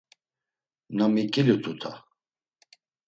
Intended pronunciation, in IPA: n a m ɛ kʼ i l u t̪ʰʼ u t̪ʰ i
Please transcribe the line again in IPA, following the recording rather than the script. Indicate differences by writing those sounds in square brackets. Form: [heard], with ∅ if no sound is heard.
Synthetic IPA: n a m [i] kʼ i l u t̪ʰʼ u t̪ʰ [a]